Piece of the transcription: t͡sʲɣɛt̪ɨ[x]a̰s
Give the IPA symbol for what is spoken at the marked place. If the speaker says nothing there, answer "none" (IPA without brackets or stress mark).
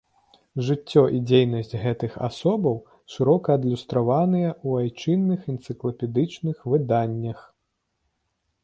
x